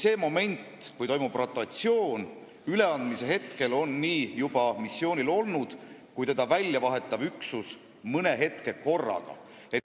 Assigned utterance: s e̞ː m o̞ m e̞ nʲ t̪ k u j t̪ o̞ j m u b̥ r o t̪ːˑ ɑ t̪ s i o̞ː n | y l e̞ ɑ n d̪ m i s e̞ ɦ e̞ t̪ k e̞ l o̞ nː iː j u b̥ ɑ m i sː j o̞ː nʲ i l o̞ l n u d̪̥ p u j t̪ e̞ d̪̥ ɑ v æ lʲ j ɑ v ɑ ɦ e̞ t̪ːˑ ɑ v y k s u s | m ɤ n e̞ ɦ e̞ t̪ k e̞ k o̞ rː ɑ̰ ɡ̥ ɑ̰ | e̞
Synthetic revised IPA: s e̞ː m o̞ m e̞ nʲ t̪ k u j t̪ o̞ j m u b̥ r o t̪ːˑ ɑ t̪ s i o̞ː n | y l e̞ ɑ n d̪ m i s e̞ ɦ e̞ t̪ k e̞ l o̞ nː iː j u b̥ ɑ m i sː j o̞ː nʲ i l o̞ l n u d̪̥ k u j t̪ e̞ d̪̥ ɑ v æ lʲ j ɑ v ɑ ɦ e̞ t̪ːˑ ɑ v y k s u s | m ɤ n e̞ ɦ e̞ t̪ k e̞ k o̞ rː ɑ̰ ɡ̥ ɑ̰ | e̞

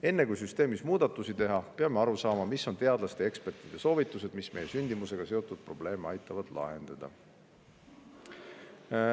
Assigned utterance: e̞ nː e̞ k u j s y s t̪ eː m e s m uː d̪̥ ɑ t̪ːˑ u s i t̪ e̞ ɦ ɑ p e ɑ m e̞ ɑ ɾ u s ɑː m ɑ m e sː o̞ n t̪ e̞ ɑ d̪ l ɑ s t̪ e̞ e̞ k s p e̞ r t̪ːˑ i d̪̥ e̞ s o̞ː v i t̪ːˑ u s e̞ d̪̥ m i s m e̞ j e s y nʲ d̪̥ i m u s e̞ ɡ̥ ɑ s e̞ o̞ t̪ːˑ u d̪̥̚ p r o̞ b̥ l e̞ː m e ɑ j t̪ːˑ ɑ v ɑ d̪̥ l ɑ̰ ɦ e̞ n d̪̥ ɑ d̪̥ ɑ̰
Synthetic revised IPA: e̞ nː e̞ k u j s y s t̪ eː m i s m uː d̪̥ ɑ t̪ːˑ u s i t̪ e̞ ɦ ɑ p e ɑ m e̞ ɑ ɾ u s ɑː m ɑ m i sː o̞ n t̪ e̞ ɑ d̪ l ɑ s t̪ e̞ e̞ k s p e̞ r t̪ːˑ i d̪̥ e̞ s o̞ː v i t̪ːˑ u s e̞ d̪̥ m i s m e̞ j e s y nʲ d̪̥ i m u s e̞ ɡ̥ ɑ s e̞ o̞ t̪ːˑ u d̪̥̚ p r o̞ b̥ l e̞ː m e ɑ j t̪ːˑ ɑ v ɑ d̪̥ l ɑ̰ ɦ e̞ n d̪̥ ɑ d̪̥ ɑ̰

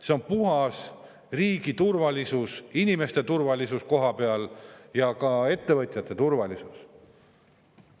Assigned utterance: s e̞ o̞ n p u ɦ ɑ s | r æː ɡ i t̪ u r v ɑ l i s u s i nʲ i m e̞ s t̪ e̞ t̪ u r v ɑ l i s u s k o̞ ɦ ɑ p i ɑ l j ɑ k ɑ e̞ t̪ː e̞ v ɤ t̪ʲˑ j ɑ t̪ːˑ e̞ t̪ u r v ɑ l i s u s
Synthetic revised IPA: s e̞ o̞ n p u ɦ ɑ s | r iː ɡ i t̪ u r v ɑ l i s u s i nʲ i m e̞ s t̪ e̞ t̪ u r v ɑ l i s u s k o̞ ɦ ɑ p e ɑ l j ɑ k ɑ e̞ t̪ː e̞ v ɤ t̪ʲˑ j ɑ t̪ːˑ e̞ t̪ u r v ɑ l i s u s

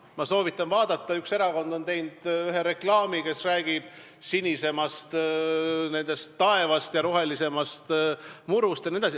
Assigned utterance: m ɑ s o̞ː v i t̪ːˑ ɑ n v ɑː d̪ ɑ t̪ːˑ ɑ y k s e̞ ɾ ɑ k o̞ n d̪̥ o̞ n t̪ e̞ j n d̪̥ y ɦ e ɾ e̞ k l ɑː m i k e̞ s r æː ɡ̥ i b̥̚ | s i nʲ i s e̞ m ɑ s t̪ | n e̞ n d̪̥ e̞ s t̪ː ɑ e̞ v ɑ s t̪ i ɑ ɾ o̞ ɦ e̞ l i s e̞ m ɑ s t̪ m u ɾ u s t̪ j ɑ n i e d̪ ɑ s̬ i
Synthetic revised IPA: m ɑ s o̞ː v i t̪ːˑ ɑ n v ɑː d̪ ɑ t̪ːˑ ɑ y k s e̞ ɾ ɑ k o̞ n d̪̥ o̞ n t̪ e̞ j n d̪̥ y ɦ e ɾ e̞ k l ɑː m i k e̞ s r æː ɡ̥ i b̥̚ | s i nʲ i s e̞ m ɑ s t̪ | n e̞ n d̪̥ e̞ s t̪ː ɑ e̞ v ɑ s t̪ j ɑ ɾ o̞ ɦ e̞ l i s e̞ m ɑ s t̪ m u ɾ u s t̪ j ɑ n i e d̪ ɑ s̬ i

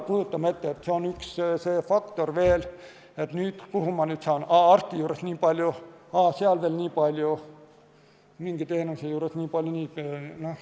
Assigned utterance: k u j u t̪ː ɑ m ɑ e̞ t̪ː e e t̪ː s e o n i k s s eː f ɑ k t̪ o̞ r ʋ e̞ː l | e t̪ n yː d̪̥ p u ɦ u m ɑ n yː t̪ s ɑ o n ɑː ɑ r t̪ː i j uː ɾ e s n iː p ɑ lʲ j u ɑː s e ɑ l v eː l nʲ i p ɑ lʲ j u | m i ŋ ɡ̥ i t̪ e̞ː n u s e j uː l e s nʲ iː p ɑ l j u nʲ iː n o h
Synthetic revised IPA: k u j u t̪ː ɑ m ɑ e̞ t̪ː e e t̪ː s e o n y k s s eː f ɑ k t̪ o̞ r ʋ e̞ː l | e t̪ n yː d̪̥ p u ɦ u m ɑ n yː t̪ s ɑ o n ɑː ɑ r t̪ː i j uː ɾ e s n iː p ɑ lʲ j u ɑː s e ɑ l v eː l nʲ iː p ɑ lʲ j u | m i ŋ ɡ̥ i t̪ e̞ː n u s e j uː ɾ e s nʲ iː p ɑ l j u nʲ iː n o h

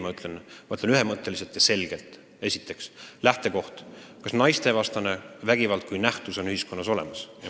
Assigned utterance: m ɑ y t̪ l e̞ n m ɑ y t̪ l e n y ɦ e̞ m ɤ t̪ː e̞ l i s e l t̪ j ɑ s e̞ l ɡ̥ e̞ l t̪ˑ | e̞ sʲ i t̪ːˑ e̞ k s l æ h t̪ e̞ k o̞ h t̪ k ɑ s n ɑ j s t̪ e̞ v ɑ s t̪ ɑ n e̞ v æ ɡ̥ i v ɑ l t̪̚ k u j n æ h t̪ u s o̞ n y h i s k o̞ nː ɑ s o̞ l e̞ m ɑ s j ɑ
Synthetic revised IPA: m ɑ y t̪ l e̞ n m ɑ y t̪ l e n y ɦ e̞ m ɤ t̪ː e̞ l i s e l t̪ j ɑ s e̞ l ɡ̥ e̞ l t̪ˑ | e̞ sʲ i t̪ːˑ e̞ k s l æ h t̪ e̞ k o̞ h t̪ k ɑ s n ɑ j s t̪ e̞ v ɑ s t̪ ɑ n e̞ v æ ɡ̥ i v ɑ l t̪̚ k u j n æ h t̪ u s o̞ n y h i s k o̞ nː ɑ s o̞ l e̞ m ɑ s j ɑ

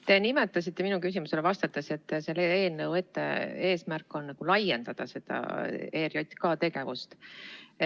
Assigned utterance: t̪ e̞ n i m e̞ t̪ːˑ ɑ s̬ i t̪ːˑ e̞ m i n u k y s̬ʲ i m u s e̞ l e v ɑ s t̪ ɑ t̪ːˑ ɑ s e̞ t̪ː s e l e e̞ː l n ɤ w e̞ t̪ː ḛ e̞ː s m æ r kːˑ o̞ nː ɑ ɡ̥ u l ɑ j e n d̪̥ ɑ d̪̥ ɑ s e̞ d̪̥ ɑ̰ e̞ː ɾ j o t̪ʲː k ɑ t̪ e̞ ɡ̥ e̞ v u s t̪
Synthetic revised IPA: t̪ e̞ n i m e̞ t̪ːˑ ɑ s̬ i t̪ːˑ e̞ m i n u k y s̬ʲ i m u s e̞ l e v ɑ s t̪ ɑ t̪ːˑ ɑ s e̞ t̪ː s e l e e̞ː l n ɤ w e̞ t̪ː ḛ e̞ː s m æ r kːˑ o̞ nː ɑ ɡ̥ u l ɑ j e n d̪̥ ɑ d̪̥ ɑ s e̞ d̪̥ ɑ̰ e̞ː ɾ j o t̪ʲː k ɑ t̪ e̞ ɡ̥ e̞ v u s t̪

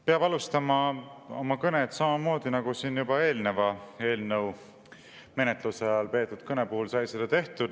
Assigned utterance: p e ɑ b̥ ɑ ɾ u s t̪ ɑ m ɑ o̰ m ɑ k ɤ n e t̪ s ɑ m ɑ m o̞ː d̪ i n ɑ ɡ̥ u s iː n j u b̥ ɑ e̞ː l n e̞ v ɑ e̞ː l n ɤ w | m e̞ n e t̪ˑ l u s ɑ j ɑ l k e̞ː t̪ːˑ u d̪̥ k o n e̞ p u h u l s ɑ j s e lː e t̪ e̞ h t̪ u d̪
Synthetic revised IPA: p e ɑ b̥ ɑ l u s t̪ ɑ m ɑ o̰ m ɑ k ɤ n e t̪ s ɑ m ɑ m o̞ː d̪ i n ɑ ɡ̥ u s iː n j u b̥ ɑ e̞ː l n e̞ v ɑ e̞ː l n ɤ w | m e̞ n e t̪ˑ l u s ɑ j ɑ l p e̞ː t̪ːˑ u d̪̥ k ɤ n e̞ p u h u l s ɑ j s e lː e t̪ e̞ h t̪ u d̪

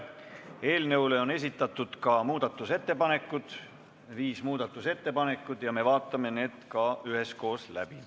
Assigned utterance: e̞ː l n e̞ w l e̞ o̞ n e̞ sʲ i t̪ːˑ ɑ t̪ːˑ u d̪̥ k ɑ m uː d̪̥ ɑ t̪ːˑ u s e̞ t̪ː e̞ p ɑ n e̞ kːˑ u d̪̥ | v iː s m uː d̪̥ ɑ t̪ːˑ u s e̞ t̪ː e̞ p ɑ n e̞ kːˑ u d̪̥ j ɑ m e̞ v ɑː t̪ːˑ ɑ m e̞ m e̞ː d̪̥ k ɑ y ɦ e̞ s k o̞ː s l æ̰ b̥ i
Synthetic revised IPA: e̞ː l n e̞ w l e̞ o̞ n e̞ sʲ i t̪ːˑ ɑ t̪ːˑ u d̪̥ k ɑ m uː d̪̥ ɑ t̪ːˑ u s e̞ t̪ː e̞ p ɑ n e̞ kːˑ u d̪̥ | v iː s m uː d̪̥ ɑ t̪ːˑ u s e̞ t̪ː e̞ p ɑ n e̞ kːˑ u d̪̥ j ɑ m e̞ v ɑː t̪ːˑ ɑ m e̞ n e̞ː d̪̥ k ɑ y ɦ e̞ s k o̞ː s l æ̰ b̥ i

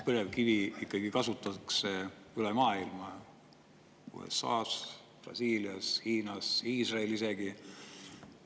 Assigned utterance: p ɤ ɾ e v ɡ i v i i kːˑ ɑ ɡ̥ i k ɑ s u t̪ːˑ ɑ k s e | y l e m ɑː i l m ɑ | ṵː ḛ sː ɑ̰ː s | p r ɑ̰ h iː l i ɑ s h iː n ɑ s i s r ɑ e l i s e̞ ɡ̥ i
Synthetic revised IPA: p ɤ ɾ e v k i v i i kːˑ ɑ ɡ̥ i k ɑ s u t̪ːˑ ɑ k s e | y l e m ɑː i l m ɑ | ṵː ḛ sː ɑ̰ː s | p r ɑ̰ s iː l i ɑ s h iː n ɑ s iː s r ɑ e l i s e̞ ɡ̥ i

